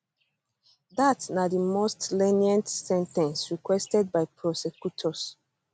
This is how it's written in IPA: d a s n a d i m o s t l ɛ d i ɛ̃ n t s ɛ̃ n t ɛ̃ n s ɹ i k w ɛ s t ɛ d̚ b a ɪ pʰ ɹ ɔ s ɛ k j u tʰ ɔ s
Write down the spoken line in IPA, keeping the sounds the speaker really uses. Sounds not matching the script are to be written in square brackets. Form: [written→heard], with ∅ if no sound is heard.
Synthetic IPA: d a [s→t] n a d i m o s t l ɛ [d→n] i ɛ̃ n t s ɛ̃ n t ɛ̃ n s ɹ i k w ɛ s t ɛ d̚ b a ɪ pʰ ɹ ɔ s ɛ k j u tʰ ɔ s